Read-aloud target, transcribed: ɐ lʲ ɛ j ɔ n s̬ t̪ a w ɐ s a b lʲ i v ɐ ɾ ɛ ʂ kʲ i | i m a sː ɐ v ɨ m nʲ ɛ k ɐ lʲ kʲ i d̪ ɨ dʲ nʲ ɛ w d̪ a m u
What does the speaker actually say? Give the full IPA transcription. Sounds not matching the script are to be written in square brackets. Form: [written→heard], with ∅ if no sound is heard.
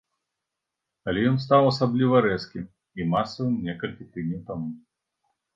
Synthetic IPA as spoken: ɐ lʲ ɛ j ɔ n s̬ t̪ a w ɐ s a b lʲ i v ɐ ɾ ɛ [ʂ→s] kʲ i | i m a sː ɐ v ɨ m nʲ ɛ k ɐ lʲ kʲ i [d̪→t̪] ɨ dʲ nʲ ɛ w [d̪→t̪] a m u